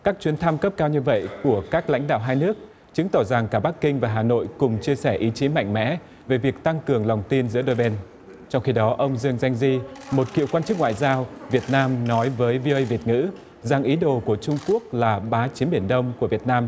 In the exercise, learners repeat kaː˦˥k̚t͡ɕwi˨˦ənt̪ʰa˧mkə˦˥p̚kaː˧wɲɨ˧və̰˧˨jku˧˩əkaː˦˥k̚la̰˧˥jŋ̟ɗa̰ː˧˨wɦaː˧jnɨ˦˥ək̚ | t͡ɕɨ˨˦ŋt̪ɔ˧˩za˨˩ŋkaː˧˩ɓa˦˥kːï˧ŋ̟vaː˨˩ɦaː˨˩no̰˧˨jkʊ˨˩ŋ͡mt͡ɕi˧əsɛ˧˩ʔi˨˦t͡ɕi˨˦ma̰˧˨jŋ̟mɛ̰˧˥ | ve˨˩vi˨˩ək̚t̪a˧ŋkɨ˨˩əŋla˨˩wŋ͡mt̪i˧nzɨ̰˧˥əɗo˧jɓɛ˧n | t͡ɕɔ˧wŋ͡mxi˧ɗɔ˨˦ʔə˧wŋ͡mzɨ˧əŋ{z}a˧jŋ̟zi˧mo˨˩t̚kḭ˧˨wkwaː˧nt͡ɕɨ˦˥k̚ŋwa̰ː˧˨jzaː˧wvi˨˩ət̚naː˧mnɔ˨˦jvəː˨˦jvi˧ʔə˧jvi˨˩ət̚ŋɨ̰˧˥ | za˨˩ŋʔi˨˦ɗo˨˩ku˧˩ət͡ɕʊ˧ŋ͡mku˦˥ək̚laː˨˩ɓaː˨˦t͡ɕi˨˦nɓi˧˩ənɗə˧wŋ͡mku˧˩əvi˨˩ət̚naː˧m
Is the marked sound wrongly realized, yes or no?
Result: no